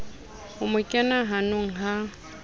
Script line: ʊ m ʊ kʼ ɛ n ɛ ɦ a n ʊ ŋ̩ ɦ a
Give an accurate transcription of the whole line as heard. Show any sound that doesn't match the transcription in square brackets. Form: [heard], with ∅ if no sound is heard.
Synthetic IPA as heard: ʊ m ʊ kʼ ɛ n [a] ɦ a n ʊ ŋ̩ ɦ a